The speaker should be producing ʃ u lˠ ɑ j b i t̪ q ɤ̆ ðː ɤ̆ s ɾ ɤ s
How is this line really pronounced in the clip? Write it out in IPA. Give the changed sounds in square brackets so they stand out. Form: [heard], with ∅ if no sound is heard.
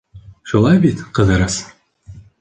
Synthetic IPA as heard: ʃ u lˠ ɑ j b i t̪ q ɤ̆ [ð] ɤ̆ [∅] ɾ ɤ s